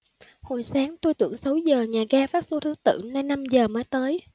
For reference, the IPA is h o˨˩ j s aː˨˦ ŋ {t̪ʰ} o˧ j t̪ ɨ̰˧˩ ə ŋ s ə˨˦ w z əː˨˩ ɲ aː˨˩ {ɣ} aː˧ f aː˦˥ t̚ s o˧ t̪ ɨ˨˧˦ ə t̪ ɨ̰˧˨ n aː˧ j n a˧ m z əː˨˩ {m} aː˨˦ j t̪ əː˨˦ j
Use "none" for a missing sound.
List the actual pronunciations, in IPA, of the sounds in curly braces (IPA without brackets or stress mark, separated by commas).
t̪, ɣ, m